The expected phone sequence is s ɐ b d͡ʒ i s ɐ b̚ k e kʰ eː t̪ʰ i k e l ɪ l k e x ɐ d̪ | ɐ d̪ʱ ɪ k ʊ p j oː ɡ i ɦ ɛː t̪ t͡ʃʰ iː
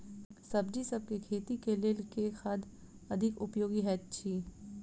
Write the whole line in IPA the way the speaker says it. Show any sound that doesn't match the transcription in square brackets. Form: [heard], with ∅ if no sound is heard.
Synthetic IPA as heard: s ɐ b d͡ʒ i s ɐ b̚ k e kʰ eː [t̪] i k e l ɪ l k e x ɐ d̪ | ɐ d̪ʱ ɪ k ʊ p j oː ɡ i ɦ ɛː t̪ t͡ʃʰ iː